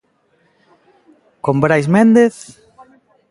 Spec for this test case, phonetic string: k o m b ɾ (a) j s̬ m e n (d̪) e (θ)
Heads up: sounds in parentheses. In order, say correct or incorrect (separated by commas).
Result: correct, correct, correct